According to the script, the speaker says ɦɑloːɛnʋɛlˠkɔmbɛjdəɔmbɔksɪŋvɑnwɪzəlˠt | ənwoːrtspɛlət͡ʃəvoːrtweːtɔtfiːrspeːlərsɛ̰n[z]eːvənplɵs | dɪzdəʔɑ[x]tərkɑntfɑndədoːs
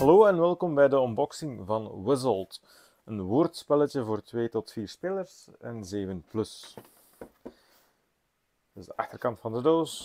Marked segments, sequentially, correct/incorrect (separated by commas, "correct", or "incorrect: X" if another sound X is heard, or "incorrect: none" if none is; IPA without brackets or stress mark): correct, correct